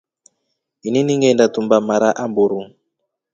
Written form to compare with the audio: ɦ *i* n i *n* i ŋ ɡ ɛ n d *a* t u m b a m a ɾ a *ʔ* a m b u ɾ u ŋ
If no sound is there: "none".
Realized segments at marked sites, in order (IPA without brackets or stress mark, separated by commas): i, n, a, ʔ